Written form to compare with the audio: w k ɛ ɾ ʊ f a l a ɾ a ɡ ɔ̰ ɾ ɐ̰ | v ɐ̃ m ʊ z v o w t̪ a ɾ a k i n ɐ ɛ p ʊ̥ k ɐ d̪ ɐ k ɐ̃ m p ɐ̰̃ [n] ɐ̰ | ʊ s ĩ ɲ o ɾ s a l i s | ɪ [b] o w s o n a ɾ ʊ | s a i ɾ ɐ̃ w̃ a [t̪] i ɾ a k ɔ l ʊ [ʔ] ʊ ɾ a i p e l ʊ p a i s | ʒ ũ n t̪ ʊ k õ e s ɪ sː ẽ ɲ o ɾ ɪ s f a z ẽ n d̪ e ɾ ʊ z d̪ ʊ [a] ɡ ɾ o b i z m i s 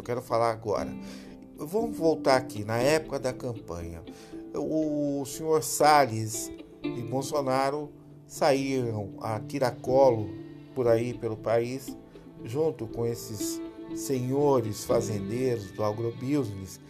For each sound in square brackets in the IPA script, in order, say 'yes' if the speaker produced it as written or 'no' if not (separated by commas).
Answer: no, yes, yes, no, yes